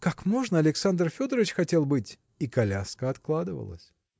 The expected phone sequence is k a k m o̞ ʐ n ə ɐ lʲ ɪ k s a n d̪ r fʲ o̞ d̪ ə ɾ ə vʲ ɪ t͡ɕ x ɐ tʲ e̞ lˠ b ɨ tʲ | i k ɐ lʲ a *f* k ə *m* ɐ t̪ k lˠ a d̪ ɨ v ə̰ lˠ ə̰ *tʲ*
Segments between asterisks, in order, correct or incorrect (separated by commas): incorrect, incorrect, incorrect